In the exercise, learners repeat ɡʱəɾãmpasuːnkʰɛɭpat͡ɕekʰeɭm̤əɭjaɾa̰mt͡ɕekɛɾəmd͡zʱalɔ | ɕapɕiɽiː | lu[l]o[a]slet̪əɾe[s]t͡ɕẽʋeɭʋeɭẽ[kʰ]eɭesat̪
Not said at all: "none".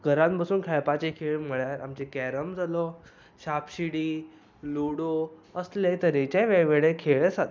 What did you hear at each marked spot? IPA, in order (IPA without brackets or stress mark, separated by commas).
ɽ, ə, none, kʰ